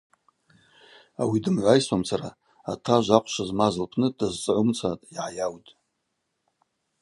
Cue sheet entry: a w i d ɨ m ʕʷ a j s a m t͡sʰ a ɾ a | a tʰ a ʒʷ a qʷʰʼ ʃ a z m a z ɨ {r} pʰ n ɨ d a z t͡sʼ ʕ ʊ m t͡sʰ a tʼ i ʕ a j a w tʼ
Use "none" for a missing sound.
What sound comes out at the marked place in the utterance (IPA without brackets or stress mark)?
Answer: l